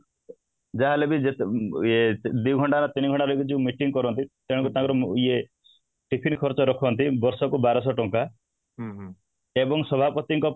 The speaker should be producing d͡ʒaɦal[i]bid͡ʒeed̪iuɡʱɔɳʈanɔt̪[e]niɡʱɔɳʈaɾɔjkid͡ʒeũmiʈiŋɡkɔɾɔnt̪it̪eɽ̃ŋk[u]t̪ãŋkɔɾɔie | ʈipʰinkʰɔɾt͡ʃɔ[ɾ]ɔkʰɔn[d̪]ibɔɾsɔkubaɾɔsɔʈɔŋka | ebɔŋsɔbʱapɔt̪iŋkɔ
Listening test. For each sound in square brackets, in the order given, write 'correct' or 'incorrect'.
incorrect: e, incorrect: i, correct, correct, incorrect: t̪

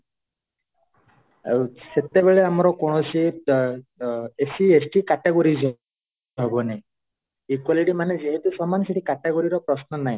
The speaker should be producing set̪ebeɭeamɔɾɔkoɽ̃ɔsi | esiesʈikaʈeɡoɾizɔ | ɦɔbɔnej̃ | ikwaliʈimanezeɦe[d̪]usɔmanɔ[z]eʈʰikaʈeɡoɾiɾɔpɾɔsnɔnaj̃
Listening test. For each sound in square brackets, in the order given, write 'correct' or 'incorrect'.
incorrect: t̪, incorrect: s

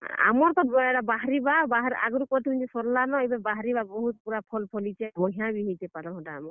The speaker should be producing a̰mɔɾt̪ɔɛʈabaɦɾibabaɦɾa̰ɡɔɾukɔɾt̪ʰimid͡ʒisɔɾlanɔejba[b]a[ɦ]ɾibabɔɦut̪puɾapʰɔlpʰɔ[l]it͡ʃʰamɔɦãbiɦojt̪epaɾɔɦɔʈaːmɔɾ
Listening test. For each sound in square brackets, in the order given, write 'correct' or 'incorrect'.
correct, correct, correct

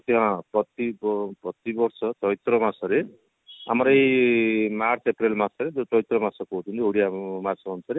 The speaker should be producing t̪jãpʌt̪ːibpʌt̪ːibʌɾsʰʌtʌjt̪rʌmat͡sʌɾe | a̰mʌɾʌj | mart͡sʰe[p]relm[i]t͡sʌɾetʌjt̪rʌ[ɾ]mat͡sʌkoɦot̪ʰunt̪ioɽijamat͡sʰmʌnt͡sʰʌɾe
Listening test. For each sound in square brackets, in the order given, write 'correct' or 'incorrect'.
correct, incorrect: a, incorrect: none

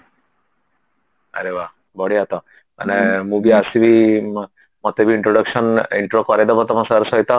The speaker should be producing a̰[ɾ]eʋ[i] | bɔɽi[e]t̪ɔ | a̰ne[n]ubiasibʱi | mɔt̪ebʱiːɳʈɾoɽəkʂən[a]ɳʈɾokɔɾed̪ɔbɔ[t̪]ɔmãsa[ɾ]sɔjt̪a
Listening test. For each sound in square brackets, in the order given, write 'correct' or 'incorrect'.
correct, incorrect: a, incorrect: a, incorrect: m, incorrect: i, correct, correct

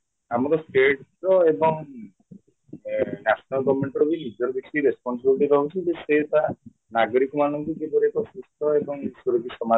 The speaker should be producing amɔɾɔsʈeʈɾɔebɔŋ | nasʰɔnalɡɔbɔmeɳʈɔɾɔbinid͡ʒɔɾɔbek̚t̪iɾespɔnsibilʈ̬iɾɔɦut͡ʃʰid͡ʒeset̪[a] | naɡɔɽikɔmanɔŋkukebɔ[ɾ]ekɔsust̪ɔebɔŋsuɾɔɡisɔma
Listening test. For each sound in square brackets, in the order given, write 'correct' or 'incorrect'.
correct, correct

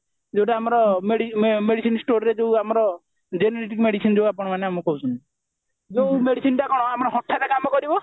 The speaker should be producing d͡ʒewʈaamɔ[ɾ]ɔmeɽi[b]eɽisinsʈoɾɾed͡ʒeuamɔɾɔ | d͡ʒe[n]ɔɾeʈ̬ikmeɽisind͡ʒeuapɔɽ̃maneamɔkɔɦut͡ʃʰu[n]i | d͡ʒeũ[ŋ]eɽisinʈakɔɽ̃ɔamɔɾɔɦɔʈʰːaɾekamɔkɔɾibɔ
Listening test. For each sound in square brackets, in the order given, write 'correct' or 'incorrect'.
correct, incorrect: m, correct, correct, incorrect: m

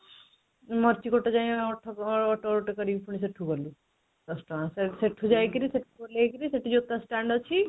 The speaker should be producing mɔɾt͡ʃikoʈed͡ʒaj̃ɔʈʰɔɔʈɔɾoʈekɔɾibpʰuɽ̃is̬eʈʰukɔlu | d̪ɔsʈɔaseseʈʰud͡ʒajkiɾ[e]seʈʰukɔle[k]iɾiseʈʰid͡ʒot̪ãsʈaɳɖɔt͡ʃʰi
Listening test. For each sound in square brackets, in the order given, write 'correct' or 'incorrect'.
incorrect: i, correct

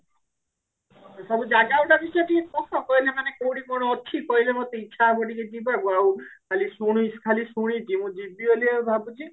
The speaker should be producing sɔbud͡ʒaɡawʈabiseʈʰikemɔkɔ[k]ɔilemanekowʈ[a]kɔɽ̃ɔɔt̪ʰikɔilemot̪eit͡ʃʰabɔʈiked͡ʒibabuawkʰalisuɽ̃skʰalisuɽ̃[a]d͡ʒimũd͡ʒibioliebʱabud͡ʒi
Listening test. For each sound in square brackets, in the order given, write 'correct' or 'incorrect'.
correct, incorrect: i, incorrect: i

